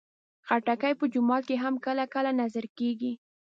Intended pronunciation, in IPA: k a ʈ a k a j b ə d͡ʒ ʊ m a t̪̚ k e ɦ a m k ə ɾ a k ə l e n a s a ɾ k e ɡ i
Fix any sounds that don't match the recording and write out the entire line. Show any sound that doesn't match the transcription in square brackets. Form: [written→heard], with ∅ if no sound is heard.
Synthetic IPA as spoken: [k→x] a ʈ a k a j [b→p] ə d͡ʒ ʊ m [a→ɑ] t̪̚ k e ɦ a m k ə [ɾ→l] a k ə l [e→a] n a [s→z] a ɾ k e ɡ i

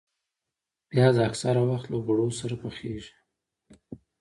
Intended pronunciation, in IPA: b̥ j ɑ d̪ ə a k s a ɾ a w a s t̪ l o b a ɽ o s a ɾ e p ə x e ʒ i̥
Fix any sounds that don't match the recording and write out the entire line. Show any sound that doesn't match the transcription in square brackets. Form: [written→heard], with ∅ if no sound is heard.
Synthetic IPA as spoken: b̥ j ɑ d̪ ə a k s a ɾ a w a [s→x] t̪ l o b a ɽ o s a ɾ [e→a] p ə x e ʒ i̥

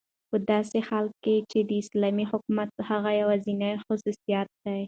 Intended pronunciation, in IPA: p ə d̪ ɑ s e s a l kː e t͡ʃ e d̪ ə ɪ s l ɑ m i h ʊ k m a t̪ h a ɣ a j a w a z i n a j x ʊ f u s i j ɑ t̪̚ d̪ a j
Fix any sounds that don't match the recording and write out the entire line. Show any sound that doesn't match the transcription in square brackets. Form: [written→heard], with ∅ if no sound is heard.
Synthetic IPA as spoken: p ə d̪ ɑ s e [s→x] a l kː e t͡ʃ e d̪ ə ɪ s l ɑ m i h ʊ k m a t̪ h a ɣ a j a w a z i n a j x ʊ [f→s] u s i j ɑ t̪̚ d̪ a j

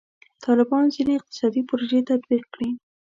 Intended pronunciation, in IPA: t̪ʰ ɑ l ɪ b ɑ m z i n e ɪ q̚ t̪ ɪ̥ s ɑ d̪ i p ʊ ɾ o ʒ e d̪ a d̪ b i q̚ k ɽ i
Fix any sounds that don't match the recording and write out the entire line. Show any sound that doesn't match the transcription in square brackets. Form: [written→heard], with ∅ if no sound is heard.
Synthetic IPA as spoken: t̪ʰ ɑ l ɪ b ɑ [m→n] z i n e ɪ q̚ t̪ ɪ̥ s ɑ d̪ i p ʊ ɾ o ʒ e [d̪→t̪] a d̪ b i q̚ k ɽ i

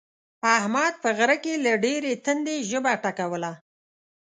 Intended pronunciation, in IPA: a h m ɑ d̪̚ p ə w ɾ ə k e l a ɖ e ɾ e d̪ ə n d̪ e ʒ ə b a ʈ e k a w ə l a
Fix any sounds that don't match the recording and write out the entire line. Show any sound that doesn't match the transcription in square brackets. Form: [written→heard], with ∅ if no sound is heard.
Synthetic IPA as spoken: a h m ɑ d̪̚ p ə [w→ɣ] ɾ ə k e l a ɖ e ɾ e [d̪→t̪] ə n d̪ e ʒ ə b a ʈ [e→a] k a w ə l a

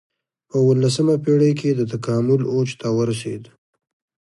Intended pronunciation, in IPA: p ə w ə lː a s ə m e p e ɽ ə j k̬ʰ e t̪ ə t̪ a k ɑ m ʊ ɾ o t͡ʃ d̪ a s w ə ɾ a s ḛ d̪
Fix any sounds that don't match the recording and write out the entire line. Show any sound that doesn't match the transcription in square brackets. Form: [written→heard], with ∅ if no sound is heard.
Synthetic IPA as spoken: p ə w ə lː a s ə m [e→a] p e ɽ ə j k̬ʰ e [t̪→d̪] ə t̪ a k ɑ m ʊ [ɾ→l] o t͡ʃ [d̪→t̪] a [s→∅] w ə ɾ a s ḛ d̪

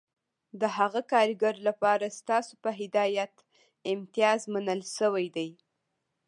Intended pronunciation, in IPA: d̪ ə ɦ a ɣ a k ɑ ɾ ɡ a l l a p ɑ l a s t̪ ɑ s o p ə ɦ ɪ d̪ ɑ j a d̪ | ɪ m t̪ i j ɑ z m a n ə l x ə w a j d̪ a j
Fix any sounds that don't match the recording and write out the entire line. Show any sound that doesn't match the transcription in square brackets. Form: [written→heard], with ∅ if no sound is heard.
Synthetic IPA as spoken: d̪ ə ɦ a ɣ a k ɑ ɾ ɡ a [l→ɾ] l a p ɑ [l→ɾ] a s t̪ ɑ s o p ə ɦ ɪ d̪ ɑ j a [d̪→t̪] | ɪ m t̪ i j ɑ z m a n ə l [x→ʃ] ə w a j d̪ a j

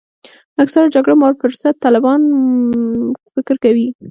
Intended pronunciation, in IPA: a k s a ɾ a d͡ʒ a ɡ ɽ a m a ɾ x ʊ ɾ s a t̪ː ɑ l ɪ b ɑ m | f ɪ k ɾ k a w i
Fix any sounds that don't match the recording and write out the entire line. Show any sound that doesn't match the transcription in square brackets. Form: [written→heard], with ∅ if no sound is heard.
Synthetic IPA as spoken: a k s a ɾ a d͡ʒ a ɡ ɽ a m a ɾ [x→f] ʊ ɾ s a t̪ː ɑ l ɪ b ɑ [m→n] | f ɪ k ɾ k a w i

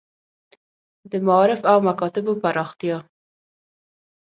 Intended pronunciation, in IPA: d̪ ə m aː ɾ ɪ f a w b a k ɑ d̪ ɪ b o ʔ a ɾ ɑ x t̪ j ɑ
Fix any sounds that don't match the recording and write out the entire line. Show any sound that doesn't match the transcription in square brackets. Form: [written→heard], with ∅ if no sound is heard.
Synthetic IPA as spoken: d̪ ə m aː ɾ ɪ f a w [b→m] a k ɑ [d̪→t̪] ɪ b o [ʔ→p] a ɾ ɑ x t̪ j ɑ

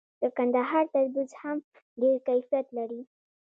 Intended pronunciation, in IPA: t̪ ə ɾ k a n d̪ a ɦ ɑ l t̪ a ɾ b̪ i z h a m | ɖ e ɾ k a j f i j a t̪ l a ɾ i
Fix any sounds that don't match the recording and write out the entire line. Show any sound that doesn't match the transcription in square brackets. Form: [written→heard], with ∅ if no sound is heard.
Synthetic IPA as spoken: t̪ ə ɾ k a n d̪ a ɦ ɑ [l→ɾ] t̪ a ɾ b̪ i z h a m | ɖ e ɾ k a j f i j a t̪ l a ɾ i

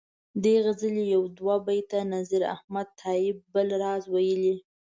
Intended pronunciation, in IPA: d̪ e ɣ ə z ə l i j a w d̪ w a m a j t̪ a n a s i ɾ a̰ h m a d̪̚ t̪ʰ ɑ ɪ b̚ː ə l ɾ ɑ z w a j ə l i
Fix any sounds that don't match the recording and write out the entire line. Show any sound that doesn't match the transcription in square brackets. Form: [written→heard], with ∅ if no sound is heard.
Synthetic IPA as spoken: d̪ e ɣ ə z ə l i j a w d̪ w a [m→b] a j t̪ a n a [s→z] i ɾ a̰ h m a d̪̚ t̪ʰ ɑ ɪ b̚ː ə l ɾ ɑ z w a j ə l i

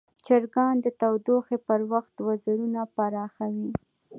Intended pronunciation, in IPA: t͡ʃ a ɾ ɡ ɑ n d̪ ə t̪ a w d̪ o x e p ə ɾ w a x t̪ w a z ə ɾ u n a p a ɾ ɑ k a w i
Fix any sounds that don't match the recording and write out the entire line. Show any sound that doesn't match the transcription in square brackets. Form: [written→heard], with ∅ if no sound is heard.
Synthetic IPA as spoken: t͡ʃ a ɾ ɡ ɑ n d̪ ə t̪ a w d̪ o x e p ə ɾ w a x t̪ w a z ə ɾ u n a p a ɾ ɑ [k→x] a w i

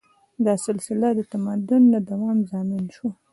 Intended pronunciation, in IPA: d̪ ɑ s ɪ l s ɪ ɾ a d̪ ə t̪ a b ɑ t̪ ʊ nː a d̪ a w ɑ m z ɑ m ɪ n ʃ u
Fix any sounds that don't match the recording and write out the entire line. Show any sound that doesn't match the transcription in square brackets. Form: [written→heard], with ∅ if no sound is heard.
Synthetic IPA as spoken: d̪ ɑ s ɪ l s ɪ [ɾ→l] a d̪ ə t̪ a [b→m] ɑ [t̪→d̪] ʊ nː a d̪ a w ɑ m z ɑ m ɪ n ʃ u

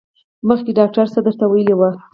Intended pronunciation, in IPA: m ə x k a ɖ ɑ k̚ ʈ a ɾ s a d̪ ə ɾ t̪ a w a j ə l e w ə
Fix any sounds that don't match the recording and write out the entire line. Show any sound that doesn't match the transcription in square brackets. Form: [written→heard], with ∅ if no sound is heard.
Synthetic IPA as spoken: m ə x k [a→e] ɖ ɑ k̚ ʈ a ɾ s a d̪ ə ɾ t̪ a w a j ə l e w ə

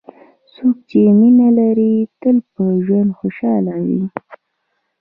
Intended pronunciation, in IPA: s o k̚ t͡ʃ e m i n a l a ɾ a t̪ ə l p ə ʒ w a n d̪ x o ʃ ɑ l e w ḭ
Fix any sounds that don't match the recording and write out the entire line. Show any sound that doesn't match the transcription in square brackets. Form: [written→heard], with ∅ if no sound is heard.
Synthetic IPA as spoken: s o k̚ t͡ʃ e m i n a l a ɾ [a→i] t̪ ə l p ə ʒ w a n d̪ x o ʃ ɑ l [e→a] w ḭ

